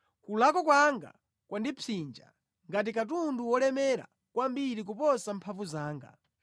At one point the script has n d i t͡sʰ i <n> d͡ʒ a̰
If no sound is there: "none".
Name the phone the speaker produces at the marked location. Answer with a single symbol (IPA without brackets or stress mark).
n